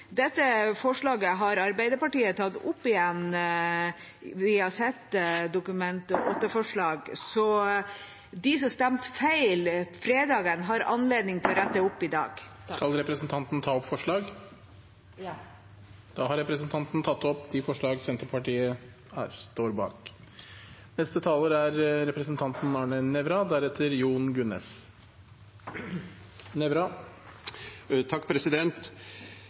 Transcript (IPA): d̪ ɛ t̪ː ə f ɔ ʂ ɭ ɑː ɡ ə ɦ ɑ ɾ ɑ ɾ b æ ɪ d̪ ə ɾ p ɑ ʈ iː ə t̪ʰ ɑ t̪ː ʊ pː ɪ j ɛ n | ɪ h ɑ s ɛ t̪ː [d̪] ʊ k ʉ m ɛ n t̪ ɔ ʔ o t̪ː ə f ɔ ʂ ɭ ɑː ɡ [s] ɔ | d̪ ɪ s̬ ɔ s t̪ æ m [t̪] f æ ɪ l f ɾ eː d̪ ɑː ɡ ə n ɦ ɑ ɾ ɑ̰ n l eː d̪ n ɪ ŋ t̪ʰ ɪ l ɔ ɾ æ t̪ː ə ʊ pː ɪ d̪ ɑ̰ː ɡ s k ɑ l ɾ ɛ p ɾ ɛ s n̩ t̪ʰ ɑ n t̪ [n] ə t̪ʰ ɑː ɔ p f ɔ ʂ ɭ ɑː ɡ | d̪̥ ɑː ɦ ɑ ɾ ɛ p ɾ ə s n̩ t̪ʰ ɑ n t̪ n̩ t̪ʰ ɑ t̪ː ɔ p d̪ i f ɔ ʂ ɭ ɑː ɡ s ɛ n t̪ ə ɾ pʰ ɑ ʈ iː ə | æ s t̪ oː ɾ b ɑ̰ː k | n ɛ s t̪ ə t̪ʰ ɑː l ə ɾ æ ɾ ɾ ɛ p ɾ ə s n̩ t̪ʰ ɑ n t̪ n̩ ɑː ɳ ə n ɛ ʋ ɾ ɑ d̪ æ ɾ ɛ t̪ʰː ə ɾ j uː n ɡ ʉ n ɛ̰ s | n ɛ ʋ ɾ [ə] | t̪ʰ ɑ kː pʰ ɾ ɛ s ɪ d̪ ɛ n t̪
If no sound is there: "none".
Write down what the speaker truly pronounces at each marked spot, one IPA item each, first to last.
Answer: d̪, s, t̪, n, ɑ

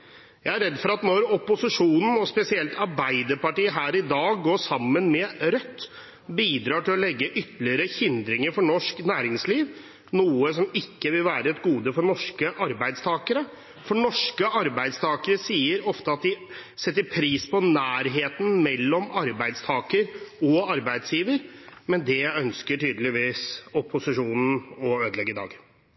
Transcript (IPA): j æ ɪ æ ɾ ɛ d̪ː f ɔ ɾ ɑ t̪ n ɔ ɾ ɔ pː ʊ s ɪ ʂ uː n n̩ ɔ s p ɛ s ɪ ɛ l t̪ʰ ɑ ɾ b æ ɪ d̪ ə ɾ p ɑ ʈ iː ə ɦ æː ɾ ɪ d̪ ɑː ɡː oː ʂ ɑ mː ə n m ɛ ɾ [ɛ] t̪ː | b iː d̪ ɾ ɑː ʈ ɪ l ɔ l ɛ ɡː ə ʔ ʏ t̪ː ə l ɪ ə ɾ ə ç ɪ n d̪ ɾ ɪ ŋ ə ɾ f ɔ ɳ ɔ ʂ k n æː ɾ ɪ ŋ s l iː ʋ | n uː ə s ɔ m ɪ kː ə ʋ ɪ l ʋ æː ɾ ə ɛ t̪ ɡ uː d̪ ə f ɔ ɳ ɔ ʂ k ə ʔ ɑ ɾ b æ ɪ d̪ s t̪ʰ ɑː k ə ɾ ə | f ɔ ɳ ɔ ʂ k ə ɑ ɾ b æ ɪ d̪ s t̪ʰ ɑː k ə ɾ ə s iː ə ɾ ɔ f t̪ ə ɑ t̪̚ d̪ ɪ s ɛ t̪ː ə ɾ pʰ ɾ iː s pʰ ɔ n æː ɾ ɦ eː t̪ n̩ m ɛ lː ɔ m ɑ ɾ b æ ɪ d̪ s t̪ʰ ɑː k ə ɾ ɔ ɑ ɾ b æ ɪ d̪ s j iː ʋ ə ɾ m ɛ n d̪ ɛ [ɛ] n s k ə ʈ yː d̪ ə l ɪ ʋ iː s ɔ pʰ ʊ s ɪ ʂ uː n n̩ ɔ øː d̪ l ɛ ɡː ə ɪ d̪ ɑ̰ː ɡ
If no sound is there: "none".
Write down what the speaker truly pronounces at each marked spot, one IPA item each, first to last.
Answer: œ, œ

